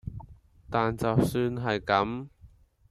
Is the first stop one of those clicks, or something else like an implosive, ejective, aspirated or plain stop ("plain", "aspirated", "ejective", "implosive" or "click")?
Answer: plain